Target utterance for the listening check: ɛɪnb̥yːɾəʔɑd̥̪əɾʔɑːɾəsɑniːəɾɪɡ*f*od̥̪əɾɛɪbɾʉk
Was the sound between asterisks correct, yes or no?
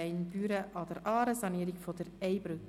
yes